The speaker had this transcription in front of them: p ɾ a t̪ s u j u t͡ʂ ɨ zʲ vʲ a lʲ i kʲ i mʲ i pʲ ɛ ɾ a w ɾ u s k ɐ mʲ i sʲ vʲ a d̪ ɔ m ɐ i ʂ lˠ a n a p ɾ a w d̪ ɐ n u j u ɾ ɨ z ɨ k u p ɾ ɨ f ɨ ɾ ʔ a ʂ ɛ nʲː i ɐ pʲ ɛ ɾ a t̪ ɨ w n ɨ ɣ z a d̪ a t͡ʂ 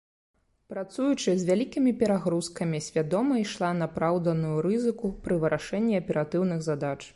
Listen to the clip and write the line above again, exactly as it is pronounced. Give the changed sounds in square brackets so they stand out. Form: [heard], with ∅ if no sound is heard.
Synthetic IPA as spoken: p ɾ a t̪ s u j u t͡ʂ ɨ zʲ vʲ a lʲ i kʲ i mʲ i pʲ ɛ ɾ a [ɣ] ɾ u s k ɐ mʲ i sʲ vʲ a d̪ ɔ m ɐ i ʂ lˠ a n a p ɾ a w d̪ ɐ n u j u ɾ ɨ z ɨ k u p ɾ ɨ [v] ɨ ɾ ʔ a ʂ ɛ nʲː i ɐ pʲ ɛ ɾ a t̪ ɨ w n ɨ ɣ z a d̪ a t͡ʂ